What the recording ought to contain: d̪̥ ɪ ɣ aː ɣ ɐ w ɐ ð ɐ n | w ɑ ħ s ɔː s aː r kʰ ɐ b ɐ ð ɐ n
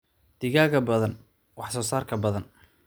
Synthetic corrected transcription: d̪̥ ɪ ɣ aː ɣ ɐ b ɐ ð ɐ n | w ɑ ħ s ɔː s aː r kʰ ɐ b ɐ ð ɐ n